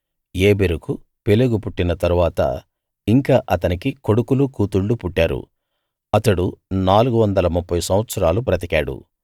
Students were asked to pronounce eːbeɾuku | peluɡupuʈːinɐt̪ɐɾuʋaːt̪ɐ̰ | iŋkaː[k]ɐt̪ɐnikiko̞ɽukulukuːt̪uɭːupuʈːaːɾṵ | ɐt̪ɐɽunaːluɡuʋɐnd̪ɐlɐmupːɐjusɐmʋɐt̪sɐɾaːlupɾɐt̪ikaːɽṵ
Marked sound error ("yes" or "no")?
yes